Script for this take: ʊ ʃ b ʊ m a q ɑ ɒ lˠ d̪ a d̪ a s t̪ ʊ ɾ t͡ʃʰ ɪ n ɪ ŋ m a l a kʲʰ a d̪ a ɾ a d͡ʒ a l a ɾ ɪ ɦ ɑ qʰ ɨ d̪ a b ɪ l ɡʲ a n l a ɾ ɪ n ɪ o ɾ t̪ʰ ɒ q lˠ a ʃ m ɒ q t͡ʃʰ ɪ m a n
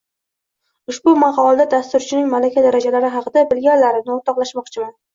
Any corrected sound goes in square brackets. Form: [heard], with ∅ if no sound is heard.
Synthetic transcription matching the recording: ʊ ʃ b ʊ m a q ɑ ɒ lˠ d̪ a d̪ a s t̪ ʊ ɾ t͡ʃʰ ɪ n ɪ ŋ m a l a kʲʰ a d̪ a ɾ a d͡ʒ a l a ɾ ɪ ɦ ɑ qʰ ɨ d̪ a b ɪ l ɡʲ a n l a ɾ ɪ n ɪ o ɾ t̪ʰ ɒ q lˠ a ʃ m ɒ q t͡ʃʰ ɪ m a n